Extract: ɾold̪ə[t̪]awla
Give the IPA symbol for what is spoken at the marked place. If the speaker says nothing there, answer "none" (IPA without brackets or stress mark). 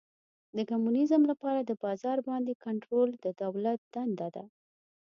d̪